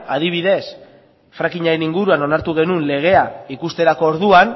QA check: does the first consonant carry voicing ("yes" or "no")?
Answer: yes